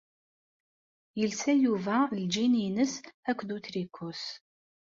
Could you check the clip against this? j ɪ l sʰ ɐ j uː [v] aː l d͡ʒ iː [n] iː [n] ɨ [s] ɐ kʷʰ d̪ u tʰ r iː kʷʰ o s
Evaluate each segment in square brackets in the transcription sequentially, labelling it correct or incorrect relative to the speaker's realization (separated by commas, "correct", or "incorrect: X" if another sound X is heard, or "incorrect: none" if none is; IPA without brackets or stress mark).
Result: correct, correct, correct, correct